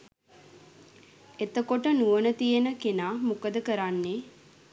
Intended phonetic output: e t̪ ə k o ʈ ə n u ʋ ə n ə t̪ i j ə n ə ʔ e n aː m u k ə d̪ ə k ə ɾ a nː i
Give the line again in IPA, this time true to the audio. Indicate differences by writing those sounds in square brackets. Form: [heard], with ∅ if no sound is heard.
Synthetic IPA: e t̪ ə k o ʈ ə n u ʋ ə n ə t̪ i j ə n ə [k] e n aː m u k ə d̪ ə k ə ɾ a nː [e]